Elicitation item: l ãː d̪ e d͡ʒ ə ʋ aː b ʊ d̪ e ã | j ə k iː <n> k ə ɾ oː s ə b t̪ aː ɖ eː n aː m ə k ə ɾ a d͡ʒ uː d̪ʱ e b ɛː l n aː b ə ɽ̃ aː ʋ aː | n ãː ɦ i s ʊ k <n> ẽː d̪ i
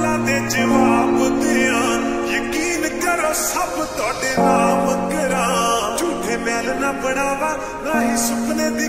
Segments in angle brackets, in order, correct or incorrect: correct, correct

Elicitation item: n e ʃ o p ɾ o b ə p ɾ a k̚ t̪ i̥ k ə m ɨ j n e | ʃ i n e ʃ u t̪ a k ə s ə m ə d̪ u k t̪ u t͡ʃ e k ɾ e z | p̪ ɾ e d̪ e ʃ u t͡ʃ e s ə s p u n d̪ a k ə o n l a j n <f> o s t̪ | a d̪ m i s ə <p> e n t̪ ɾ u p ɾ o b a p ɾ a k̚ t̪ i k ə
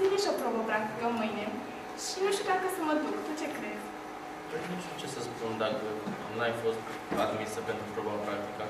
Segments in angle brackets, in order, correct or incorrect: correct, correct

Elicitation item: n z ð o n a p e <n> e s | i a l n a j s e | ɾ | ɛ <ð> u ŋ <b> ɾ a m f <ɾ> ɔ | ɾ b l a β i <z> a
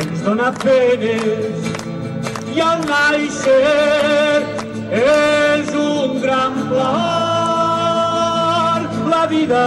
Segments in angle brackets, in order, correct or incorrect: correct, incorrect: z, incorrect: ɡ, incorrect: l, incorrect: ð

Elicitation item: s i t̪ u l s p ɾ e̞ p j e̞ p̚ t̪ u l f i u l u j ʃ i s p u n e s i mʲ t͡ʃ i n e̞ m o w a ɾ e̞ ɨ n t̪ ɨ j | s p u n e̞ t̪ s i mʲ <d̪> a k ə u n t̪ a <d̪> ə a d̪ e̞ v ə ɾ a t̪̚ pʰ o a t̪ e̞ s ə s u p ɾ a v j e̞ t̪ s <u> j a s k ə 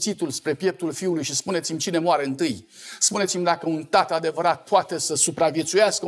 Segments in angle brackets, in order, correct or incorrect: correct, incorrect: t̪, correct

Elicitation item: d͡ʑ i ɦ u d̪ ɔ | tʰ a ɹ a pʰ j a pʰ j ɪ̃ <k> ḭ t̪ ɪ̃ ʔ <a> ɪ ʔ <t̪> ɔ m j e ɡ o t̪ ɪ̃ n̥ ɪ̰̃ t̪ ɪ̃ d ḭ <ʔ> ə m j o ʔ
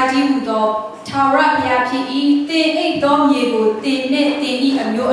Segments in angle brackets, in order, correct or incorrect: incorrect: ʔ, incorrect: e, correct, correct

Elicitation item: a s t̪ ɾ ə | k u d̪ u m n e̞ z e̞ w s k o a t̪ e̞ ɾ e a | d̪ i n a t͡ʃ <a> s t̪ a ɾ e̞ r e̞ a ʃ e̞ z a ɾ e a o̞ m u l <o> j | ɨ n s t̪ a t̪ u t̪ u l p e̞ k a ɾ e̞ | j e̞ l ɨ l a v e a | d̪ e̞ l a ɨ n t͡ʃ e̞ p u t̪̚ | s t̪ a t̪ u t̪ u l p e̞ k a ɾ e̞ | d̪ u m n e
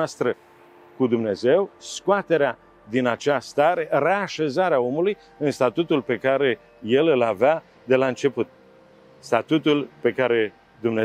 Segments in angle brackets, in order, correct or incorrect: correct, incorrect: u

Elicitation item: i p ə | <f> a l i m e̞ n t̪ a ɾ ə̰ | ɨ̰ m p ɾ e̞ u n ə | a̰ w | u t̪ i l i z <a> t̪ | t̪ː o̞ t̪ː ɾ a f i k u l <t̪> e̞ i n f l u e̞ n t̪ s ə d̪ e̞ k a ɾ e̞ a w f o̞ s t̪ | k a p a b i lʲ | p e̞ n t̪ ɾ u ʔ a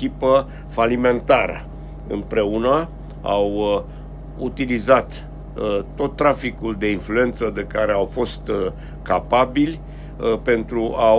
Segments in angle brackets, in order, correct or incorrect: correct, correct, incorrect: d̪

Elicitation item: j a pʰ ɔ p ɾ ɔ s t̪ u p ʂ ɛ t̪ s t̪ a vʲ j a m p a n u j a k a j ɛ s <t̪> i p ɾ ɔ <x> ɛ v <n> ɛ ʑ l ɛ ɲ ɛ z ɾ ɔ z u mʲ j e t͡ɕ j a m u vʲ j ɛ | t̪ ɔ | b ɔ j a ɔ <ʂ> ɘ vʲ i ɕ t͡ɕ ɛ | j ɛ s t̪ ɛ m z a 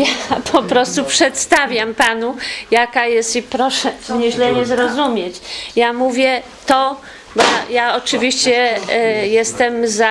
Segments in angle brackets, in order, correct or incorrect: correct, incorrect: ʂ, incorrect: ɲ, incorrect: t͡ʂ

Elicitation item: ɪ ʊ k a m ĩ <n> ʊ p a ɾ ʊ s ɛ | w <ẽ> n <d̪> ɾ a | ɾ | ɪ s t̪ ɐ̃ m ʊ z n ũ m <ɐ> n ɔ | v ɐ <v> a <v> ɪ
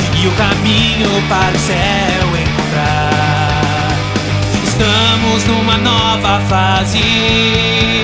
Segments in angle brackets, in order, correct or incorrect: incorrect: ɲ, correct, incorrect: t̪, correct, incorrect: f, incorrect: z

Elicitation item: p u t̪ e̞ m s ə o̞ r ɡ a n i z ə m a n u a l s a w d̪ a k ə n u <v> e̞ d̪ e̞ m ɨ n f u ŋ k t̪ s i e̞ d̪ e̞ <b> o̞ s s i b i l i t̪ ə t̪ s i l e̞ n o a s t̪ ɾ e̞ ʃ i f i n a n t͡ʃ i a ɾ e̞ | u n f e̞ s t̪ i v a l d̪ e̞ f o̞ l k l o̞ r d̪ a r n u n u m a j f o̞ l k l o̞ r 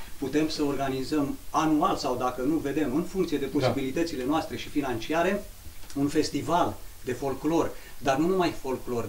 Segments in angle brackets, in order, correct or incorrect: correct, incorrect: p

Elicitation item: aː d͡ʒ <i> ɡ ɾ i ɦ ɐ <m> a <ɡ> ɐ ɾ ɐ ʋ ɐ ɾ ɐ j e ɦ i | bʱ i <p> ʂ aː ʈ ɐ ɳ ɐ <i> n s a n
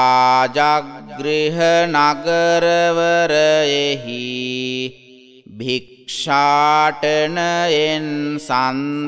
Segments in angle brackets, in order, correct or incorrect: incorrect: a, incorrect: n, correct, incorrect: k, incorrect: e

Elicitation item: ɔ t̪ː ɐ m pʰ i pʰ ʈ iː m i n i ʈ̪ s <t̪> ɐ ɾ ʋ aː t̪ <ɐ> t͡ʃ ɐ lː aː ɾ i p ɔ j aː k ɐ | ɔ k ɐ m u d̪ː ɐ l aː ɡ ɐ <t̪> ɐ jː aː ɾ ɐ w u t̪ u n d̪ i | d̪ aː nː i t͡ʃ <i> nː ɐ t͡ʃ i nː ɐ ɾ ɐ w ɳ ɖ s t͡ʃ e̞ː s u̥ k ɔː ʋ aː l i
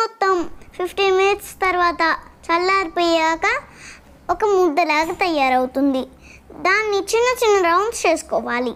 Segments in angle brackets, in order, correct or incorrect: correct, correct, correct, correct

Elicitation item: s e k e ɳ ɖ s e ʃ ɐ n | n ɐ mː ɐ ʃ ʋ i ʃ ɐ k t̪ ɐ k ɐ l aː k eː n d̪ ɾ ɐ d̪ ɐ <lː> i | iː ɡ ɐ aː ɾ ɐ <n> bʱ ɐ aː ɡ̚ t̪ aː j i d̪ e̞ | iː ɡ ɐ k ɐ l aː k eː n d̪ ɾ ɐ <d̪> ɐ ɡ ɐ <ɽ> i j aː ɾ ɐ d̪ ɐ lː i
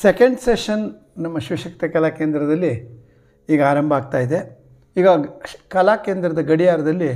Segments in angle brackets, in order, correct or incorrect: correct, incorrect: m, correct, correct

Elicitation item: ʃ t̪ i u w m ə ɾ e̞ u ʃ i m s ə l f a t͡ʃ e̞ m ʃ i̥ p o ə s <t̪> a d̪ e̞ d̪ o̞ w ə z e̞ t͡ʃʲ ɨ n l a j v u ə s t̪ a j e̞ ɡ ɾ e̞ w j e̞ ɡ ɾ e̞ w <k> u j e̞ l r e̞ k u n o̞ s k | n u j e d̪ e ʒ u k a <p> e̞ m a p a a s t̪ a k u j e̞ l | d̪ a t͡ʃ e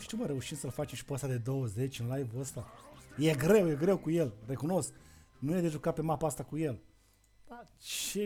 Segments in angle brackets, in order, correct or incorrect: correct, correct, correct

